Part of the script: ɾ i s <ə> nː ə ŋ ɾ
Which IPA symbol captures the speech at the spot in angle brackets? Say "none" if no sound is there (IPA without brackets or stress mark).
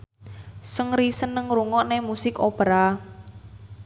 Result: ə